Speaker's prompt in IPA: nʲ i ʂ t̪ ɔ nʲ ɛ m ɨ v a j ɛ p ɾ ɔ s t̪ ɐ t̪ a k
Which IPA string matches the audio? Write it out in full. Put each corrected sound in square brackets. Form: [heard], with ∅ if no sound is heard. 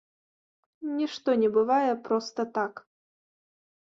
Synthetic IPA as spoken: nʲ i ʂ t̪ ɔ nʲ ɛ [b] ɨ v a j ɛ p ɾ ɔ s t̪ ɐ t̪ a k